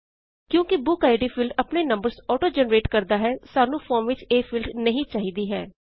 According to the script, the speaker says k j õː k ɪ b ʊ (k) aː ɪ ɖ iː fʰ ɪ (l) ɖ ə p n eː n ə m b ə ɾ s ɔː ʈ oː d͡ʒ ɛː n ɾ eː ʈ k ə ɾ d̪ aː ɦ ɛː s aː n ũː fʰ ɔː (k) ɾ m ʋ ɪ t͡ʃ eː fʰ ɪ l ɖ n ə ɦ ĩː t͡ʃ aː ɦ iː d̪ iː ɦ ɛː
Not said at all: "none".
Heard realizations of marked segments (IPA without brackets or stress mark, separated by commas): k, l, none